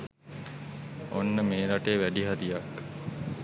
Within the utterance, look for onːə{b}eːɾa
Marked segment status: incorrect: m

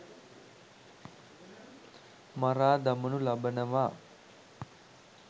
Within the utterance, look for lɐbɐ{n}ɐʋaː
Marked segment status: correct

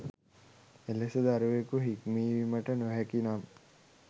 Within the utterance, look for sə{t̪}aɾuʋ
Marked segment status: incorrect: d̪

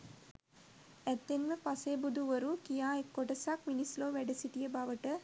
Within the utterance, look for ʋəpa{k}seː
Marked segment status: incorrect: none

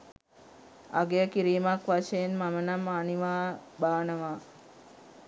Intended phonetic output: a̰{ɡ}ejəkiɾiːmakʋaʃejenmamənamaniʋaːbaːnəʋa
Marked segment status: correct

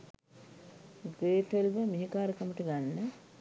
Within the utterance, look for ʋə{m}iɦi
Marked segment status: correct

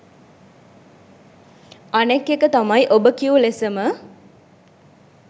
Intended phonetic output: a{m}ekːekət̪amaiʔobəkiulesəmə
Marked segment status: incorrect: n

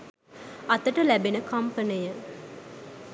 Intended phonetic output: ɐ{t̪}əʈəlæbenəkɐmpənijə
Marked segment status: correct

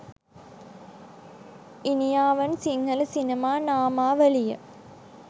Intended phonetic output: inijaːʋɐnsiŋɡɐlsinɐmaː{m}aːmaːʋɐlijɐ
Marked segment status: incorrect: n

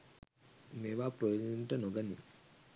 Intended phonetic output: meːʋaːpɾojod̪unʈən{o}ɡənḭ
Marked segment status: correct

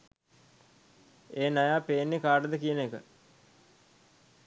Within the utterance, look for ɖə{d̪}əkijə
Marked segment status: correct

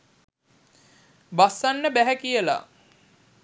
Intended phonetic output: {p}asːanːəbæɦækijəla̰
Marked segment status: incorrect: b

